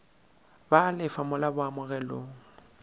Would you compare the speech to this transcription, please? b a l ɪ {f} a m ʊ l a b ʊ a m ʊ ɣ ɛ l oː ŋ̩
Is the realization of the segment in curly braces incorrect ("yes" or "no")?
no